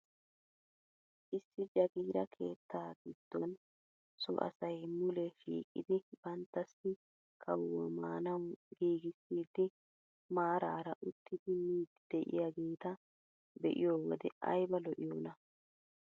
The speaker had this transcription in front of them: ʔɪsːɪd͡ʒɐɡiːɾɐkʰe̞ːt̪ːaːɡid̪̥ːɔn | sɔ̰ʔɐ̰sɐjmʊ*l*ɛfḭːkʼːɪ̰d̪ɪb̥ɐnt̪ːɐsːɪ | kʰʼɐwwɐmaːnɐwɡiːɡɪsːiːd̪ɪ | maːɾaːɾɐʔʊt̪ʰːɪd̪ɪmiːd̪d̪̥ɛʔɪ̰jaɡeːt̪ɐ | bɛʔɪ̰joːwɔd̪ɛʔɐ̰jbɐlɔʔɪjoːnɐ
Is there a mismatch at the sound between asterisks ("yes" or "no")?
no